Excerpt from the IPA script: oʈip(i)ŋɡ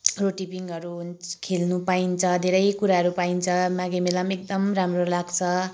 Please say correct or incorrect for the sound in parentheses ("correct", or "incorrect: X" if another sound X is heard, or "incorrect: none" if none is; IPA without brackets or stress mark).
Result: correct